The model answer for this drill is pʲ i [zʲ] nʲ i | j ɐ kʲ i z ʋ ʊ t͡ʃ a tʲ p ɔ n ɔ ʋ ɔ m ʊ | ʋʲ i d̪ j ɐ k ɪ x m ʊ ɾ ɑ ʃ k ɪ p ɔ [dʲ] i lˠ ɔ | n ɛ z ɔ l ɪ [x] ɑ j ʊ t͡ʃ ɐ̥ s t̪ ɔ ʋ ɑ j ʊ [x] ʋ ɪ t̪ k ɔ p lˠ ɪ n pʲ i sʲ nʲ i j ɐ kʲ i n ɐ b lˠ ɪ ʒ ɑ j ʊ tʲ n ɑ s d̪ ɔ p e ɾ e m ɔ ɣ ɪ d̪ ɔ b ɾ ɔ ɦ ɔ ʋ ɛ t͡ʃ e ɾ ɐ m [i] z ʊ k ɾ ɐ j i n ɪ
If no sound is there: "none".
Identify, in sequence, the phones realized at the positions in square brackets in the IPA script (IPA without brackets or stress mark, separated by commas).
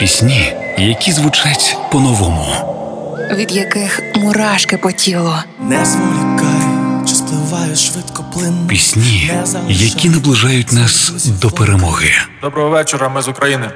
sʲ, tʲ, k, ʃ, ɪ